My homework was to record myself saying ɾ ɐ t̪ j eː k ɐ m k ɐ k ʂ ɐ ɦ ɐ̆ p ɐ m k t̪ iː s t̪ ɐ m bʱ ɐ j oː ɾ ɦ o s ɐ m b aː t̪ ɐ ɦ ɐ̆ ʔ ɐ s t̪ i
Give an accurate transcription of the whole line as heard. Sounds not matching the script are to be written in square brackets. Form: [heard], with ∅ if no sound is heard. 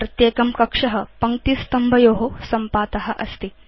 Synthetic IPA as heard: ɾ ɐ t̪ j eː k ɐ m k ɐ k ʂ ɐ ɦ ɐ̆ p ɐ [ŋ] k t̪ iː s t̪ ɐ m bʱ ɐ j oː [∅] ɦ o s ɐ m [p] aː t̪ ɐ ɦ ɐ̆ ʔ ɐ s t̪ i